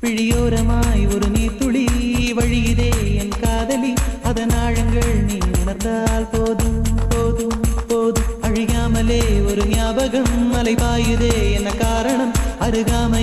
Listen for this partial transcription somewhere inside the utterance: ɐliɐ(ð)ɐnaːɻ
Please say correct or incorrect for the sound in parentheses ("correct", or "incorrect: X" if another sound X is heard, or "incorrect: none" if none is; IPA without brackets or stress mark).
correct